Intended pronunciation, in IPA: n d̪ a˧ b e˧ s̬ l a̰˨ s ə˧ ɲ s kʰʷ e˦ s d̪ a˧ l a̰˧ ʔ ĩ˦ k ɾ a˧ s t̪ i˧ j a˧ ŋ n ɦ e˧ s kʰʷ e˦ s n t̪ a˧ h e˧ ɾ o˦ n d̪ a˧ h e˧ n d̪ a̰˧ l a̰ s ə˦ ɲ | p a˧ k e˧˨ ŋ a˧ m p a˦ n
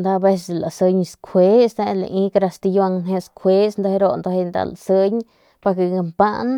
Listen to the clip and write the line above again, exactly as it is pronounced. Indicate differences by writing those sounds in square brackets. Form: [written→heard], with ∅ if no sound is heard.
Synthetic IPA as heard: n d̪ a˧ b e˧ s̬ l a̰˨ s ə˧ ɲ s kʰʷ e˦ s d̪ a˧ l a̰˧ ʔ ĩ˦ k ɾ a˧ s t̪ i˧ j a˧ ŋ n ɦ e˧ s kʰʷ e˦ s n [t̪→d̪] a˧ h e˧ ɾ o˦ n d̪ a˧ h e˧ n d̪ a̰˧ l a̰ s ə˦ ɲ | p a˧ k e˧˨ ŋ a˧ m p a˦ n